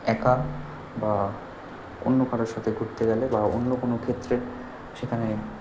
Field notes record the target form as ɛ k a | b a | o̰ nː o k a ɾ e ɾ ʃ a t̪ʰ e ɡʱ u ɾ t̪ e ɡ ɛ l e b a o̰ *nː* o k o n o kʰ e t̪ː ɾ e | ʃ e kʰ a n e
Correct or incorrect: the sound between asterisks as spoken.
correct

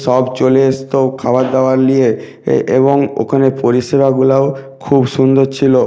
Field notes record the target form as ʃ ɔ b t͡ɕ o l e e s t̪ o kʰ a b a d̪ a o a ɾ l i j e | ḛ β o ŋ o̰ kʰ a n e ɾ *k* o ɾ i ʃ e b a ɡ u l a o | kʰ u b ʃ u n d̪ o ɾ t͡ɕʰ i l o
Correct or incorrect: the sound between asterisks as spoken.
incorrect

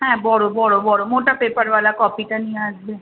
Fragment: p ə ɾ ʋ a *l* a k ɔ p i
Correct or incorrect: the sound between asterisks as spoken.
correct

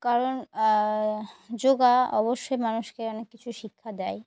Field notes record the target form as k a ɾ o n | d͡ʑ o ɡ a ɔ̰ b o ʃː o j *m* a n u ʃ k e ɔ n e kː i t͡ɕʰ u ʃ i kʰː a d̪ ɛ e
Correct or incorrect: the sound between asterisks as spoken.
correct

